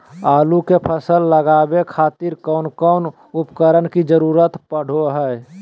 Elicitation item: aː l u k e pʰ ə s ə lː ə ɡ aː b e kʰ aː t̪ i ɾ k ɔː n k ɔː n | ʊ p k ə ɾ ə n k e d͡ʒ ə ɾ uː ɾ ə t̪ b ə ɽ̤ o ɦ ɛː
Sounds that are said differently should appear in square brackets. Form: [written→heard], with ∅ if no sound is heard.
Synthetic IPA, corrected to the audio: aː l u k e pʰ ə s ə lː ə ɡ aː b e kʰ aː t̪ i ɾ k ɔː n k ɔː n | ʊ p k ə ɾ ə n k [e→i] d͡ʒ ə ɾ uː ɾ ə t̪ [b→p] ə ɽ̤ o ɦ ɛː